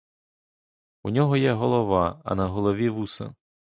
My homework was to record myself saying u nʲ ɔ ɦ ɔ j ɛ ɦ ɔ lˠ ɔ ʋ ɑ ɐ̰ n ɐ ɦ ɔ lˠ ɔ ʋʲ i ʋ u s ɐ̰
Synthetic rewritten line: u nʲ ɔ ɦ ɔ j ɛ ɦ ɔ lˠ ɔ ʋ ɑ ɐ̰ n ɐ ɦ ɔ lˠ ɔ ʋʲ i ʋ u s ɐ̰